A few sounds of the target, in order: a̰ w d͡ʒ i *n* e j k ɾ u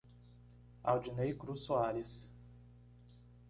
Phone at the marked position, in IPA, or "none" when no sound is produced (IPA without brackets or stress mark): n